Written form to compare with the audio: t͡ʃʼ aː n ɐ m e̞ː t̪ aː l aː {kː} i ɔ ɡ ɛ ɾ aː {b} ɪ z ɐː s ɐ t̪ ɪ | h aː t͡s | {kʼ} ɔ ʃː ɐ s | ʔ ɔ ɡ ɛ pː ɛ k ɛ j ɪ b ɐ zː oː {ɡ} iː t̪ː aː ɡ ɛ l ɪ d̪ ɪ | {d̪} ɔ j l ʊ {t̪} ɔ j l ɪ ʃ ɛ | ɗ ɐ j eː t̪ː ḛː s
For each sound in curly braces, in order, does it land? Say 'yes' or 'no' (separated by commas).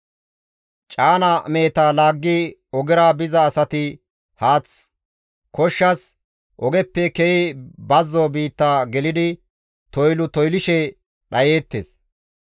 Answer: no, yes, no, no, no, yes